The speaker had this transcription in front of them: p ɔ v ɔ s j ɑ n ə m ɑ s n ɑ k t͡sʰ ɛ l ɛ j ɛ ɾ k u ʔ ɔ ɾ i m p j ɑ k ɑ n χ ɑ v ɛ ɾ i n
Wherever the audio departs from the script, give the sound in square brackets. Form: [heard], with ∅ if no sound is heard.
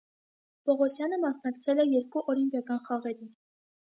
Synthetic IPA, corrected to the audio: p ɔ [ʁ] ɔ s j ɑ n ə m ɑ s n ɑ k t͡sʰ ɛ l ɛ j ɛ ɾ k u ʔ ɔ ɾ i m p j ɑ k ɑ n χ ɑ [ʁ] ɛ ɾ i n